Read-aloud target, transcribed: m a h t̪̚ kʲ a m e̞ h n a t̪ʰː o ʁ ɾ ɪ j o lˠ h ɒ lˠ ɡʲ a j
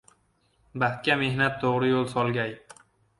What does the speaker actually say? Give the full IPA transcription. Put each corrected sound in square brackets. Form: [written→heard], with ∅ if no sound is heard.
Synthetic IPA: [m→b] a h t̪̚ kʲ a m e̞ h n a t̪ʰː o ʁ ɾ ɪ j o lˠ [h→s] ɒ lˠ ɡʲ a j

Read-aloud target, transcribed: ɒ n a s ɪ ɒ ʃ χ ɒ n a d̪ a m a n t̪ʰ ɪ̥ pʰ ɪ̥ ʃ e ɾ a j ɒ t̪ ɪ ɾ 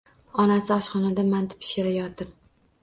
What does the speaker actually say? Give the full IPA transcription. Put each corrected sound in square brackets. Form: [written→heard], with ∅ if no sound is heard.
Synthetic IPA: ɒ n a s ɪ ɒ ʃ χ ɒ n a d̪ a m a n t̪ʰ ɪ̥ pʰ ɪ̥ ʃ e ɾ a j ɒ t̪ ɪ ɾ

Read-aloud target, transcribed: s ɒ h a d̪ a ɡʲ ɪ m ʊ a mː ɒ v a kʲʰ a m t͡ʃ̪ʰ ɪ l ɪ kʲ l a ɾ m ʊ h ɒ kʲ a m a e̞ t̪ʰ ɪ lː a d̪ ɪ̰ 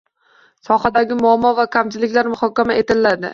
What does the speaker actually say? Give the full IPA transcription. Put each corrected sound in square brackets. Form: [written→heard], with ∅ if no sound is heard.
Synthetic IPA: s ɒ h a d̪ a ɡʲ ɪ m ʊ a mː ɒ v a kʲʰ a m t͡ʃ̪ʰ ɪ l ɪ kʲ l a ɾ m ʊ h ɒ kʲ a m a e̞ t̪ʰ ɪ lː a d̪ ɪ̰

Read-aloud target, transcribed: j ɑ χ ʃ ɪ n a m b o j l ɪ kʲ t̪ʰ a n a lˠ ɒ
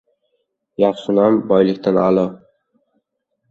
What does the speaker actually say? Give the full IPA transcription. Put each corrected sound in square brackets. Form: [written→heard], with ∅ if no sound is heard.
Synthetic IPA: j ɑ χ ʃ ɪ n a m b [o→ɒ] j l ɪ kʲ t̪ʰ a n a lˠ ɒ

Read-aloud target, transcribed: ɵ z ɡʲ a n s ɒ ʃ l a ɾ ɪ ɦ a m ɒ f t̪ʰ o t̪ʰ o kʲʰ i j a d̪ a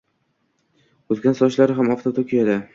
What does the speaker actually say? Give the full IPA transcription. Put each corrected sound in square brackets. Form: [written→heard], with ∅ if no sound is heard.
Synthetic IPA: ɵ z ɡʲ a n s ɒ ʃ l a ɾ ɪ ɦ a m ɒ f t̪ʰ o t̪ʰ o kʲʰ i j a d̪ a

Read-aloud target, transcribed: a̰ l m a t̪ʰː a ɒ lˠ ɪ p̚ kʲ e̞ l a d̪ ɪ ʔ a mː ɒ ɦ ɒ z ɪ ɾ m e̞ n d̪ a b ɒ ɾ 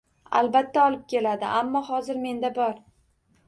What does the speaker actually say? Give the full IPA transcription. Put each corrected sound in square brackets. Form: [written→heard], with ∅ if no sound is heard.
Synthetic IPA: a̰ l [m→b] a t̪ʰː a ɒ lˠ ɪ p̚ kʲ e̞ l a d̪ ɪ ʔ a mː ɒ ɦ ɒ z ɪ ɾ m e̞ n d̪ a b ɒ ɾ

